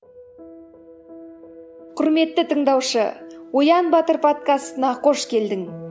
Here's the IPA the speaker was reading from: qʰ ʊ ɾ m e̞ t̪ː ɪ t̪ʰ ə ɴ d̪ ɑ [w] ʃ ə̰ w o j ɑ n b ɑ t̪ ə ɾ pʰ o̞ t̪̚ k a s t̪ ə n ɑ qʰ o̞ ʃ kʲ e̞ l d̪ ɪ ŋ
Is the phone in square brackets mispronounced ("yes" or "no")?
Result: no